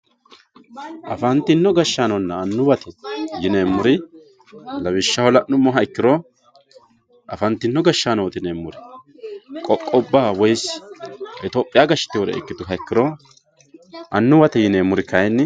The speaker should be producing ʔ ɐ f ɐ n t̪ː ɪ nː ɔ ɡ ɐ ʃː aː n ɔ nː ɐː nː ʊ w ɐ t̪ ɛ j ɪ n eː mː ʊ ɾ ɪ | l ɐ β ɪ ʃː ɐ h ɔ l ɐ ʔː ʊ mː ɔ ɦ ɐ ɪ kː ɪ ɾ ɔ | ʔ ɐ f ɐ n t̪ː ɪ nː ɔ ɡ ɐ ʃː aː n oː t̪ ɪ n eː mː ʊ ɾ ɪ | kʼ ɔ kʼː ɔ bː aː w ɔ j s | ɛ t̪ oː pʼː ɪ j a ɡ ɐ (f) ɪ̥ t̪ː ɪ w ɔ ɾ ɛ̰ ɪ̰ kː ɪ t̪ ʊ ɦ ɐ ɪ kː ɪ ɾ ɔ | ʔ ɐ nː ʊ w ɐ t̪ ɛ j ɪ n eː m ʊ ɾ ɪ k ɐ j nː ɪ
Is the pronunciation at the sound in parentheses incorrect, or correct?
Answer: incorrect